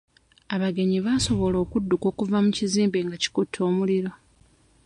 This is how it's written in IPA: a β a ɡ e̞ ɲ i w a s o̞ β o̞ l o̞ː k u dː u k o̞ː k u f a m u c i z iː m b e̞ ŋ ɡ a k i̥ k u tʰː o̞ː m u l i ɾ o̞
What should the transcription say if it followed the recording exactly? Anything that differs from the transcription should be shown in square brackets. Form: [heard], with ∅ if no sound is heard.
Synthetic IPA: a β a ɡ e̞ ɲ i [β] a s o̞ β o̞ l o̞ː k u dː u k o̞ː k u [v] a m u c i z iː m b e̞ ŋ ɡ a [c] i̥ k u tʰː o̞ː m u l i ɾ o̞